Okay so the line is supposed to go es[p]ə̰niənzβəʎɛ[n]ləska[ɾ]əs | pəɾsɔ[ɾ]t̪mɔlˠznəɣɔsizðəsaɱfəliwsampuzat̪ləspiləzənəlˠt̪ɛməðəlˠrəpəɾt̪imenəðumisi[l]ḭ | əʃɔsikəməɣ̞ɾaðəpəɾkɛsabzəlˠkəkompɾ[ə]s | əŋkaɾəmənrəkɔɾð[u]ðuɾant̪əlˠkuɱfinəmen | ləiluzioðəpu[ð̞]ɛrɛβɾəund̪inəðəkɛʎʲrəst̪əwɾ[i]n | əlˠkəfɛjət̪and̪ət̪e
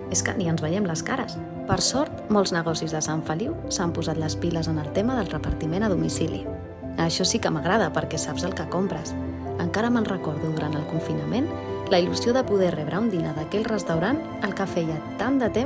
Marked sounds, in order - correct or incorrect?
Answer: incorrect: k, incorrect: m, correct, correct, correct, correct, correct, correct, incorrect: a

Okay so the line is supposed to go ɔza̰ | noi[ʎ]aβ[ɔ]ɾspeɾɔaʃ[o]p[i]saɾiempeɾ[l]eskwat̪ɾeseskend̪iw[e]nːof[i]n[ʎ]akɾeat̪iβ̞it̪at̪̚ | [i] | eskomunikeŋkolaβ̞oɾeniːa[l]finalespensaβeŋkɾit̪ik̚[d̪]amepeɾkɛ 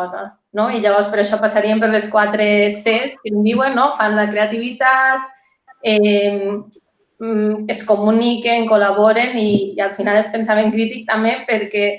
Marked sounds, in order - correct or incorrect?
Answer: correct, correct, incorrect: ɔ, incorrect: a, correct, correct, incorrect: a, incorrect: l, incorrect: ɛ, correct, incorrect: t̪

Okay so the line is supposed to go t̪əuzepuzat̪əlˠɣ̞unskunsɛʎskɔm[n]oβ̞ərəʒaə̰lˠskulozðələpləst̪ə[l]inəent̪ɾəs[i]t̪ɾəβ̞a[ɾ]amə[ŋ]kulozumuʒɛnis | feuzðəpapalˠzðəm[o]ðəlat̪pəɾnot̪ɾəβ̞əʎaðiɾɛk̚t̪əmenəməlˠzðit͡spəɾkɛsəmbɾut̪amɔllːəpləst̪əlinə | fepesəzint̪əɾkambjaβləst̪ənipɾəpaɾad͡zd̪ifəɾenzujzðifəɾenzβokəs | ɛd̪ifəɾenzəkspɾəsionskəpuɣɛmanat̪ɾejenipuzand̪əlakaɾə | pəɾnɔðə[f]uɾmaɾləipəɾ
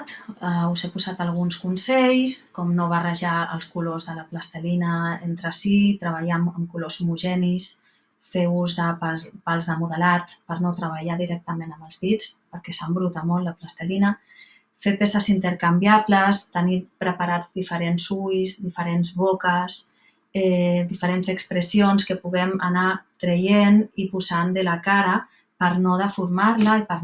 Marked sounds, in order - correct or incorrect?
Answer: correct, correct, correct, incorrect: ʎ, incorrect: m, incorrect: u, correct

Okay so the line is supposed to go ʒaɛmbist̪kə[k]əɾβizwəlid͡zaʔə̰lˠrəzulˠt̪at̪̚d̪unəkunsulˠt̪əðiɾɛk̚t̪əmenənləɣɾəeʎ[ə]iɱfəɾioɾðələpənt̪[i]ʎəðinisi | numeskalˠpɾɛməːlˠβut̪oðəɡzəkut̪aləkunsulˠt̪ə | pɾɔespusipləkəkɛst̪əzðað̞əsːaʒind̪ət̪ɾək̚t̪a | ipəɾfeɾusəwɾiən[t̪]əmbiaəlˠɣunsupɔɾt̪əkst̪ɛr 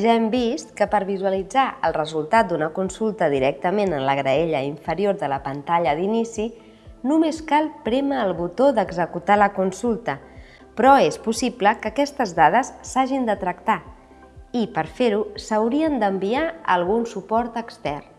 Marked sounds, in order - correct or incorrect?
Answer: incorrect: p, correct, incorrect: a, incorrect: d̪

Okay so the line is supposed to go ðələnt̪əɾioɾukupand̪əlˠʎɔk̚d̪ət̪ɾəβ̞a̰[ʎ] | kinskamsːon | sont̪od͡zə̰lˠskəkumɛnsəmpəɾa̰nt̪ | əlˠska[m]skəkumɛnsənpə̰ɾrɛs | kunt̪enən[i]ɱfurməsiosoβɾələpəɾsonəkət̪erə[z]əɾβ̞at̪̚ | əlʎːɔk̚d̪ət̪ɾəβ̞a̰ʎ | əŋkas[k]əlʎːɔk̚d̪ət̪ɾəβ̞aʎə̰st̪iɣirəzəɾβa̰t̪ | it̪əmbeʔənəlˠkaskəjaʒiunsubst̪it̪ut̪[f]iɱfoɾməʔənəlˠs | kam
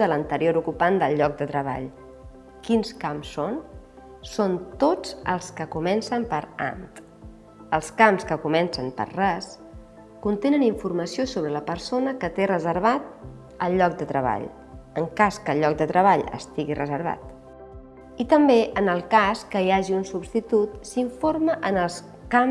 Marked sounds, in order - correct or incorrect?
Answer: correct, correct, correct, correct, correct, incorrect: s

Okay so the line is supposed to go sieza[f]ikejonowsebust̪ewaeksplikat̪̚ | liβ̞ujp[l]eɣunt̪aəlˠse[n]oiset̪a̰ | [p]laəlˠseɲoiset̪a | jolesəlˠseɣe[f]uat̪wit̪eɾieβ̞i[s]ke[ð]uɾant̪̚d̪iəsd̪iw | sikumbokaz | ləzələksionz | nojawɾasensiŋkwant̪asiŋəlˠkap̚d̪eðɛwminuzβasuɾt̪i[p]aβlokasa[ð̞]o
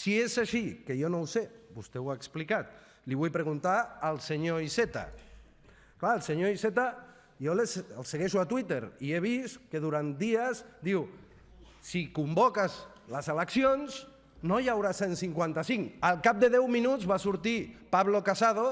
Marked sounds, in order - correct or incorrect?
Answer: incorrect: ʃ, incorrect: ɾ, incorrect: ɲ, incorrect: k, incorrect: ʃ, correct, correct, correct, correct

